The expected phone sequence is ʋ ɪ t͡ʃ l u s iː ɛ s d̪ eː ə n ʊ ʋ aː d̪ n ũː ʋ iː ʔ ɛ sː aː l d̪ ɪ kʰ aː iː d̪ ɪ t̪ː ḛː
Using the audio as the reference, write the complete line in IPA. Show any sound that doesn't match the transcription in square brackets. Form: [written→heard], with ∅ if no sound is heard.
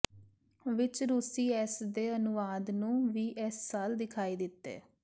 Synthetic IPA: ʋ ɪ t͡ʃ [l→ɾ] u s iː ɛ s d̪ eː ə n ʊ ʋ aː d̪ n ũː ʋ iː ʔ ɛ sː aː l d̪ ɪ kʰ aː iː d̪ ɪ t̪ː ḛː